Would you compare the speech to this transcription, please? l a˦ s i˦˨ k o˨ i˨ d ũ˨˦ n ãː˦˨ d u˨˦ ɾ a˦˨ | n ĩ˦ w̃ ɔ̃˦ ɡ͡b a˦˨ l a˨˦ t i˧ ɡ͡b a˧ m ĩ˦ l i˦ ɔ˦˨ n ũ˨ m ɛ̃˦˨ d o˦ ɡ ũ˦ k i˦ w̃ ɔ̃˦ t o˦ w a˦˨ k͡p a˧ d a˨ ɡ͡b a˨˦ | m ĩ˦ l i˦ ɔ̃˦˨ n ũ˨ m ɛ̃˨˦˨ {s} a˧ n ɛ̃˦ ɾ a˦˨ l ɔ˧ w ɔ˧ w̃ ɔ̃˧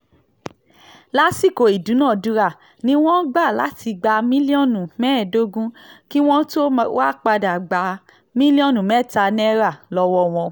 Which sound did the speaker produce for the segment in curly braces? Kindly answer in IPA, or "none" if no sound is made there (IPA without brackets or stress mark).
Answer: t